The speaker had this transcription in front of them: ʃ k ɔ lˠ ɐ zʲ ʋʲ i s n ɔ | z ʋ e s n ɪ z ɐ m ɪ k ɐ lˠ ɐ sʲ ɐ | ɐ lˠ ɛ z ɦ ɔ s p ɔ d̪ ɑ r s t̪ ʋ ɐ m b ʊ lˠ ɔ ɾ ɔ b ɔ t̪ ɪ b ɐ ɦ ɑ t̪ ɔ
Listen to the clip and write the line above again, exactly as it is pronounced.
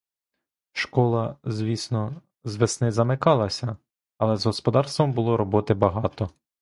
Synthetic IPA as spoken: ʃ k ɔ lˠ ɐ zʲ ʋʲ i s n ɔ | z ʋ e s n ɪ z ɐ m ɪ k ɑ lˠ ɐ sʲ ɐ | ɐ lˠ ɛ z ɦ ɔ s p ɔ d̪ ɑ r s t̪ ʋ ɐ m b ʊ lˠ ɔ ɾ ɔ b ɔ t̪ ɪ b ɐ ɦ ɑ t̪ ɔ